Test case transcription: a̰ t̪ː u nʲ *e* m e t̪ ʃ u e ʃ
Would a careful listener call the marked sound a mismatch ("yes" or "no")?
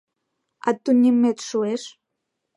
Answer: yes